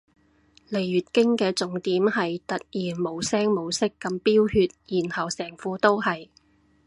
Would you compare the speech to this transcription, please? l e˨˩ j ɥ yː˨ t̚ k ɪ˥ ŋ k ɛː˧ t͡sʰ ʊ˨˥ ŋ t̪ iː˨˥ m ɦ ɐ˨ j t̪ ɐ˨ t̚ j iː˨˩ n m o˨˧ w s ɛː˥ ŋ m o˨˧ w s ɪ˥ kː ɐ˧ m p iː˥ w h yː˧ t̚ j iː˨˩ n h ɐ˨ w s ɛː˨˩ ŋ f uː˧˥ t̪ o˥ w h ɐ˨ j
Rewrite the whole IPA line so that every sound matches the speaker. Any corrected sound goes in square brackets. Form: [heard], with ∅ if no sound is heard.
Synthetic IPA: l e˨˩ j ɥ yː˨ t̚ k ɪ˥ ŋ k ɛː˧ [t͡s] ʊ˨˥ ŋ t̪ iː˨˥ m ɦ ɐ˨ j t̪ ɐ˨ t̚ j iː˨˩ n m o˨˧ w s ɛː˥ ŋ m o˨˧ w s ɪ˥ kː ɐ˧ m p iː˥ w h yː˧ t̚ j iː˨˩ n h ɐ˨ w s ɛː˨˩ ŋ f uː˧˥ t̪ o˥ w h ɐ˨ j

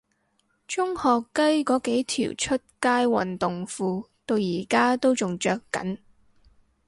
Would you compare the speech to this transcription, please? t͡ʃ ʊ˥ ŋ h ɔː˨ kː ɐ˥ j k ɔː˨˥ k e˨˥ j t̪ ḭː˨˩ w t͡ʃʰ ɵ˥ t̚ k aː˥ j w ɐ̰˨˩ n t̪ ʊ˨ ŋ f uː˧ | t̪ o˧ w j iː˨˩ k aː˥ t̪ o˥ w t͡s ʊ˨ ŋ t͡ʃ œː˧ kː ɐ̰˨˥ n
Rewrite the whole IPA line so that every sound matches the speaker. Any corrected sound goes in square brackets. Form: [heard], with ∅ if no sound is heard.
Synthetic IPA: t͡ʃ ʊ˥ ŋ h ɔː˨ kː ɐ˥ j k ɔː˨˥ k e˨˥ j [t̪ʰ] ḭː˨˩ w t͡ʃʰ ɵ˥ t̚ k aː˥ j w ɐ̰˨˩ n t̪ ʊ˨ ŋ f uː˧ | t̪ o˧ w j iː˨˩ k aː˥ t̪ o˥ w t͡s ʊ˨ ŋ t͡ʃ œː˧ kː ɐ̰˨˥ n

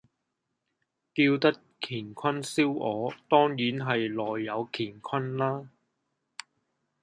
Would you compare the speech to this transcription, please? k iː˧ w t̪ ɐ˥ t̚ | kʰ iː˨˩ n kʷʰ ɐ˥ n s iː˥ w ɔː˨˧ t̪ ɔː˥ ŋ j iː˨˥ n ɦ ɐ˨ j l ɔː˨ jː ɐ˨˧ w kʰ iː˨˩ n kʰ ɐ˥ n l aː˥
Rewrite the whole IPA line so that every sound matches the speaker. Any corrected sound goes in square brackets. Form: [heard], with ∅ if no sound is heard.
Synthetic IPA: k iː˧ w t̪ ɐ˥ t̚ | kʰ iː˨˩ n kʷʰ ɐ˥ n s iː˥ w ɔː˨˧ t̪ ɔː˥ ŋ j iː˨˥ n ɦ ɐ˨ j l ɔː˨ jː ɐ˨˧ w kʰ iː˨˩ n kʰ ɐ˥ n l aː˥

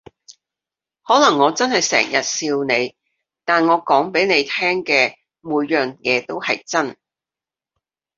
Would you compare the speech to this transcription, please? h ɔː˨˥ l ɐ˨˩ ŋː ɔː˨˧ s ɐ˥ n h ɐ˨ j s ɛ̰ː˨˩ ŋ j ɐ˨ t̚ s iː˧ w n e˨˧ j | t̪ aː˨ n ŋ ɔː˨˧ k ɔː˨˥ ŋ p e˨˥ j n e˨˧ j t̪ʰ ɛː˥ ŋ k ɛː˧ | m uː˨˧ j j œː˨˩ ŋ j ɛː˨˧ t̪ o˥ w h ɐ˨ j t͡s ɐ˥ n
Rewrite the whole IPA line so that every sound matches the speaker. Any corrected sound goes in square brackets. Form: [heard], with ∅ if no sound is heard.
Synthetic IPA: h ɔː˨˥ l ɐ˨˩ ŋː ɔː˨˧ [t͡s] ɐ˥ n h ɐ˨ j s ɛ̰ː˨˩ ŋ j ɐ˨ t̚ s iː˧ w n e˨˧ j | t̪ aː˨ n ŋ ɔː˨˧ k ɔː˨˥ ŋ p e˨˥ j n e˨˧ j t̪ʰ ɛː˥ ŋ k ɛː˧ | m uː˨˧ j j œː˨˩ ŋ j ɛː˨˧ t̪ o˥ w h ɐ˨ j t͡s ɐ˥ n

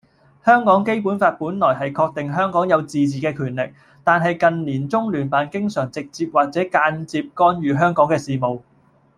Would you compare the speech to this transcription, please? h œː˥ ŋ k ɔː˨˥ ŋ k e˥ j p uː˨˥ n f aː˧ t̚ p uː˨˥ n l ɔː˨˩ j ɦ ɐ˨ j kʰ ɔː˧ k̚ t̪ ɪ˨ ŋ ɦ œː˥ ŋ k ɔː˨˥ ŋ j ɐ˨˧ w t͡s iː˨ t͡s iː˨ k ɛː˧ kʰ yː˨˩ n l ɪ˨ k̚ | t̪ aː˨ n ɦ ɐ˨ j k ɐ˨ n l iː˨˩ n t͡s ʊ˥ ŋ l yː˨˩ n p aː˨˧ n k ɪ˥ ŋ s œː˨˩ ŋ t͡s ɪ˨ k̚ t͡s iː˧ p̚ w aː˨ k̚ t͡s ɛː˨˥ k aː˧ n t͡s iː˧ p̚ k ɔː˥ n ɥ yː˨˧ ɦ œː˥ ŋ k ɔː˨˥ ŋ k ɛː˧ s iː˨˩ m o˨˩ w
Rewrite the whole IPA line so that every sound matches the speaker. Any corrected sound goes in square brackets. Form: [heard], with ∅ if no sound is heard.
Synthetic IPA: h œː˥ ŋ k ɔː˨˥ ŋ k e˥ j p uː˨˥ n f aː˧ t̚ p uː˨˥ n l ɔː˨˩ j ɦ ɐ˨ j kʰ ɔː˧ k̚ t̪ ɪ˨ ŋ ɦ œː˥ ŋ k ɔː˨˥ ŋ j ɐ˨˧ w t͡s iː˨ t͡s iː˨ k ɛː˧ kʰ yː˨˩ n l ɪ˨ k̚ | t̪ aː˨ n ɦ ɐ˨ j k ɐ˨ n l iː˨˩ n t͡s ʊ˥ ŋ l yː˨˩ n p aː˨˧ n k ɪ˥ ŋ s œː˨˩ ŋ t͡s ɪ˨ k̚ t͡s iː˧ p̚ w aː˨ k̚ t͡s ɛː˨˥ k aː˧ n t͡s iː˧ p̚ k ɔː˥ n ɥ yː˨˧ ɦ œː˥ ŋ k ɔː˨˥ ŋ k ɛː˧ s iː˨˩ m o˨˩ w

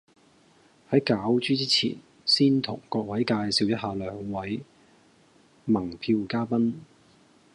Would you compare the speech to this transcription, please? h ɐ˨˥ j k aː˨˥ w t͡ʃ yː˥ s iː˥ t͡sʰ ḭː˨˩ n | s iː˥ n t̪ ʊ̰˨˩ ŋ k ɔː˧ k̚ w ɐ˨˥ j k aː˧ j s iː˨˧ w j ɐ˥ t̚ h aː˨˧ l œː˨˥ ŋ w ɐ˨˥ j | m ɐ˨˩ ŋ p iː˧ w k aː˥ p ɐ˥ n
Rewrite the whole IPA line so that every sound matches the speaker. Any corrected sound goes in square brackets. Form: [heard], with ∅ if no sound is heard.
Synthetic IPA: h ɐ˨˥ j k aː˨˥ w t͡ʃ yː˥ [t͡s] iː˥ t͡sʰ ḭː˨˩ n | s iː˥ n [t̪ʰ] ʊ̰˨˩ ŋ k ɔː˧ k̚ w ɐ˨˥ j k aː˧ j s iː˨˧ w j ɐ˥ t̚ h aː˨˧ l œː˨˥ ŋ w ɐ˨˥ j | m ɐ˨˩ ŋ [pʰ] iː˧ w k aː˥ p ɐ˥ n

